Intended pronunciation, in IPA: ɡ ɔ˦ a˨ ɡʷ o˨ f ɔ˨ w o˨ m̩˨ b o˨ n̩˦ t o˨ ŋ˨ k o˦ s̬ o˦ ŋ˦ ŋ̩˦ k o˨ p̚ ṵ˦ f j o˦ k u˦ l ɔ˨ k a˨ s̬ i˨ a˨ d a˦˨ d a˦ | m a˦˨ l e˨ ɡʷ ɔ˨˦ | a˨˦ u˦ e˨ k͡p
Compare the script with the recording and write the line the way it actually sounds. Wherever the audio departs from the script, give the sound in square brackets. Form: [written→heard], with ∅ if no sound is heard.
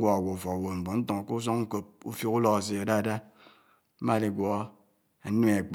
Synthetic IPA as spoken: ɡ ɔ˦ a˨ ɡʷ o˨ f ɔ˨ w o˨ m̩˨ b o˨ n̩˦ t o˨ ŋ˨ k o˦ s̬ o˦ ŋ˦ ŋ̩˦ k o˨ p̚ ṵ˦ f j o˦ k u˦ l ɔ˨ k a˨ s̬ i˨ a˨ d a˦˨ d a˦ | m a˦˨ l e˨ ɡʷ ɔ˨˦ | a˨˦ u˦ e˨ k͡p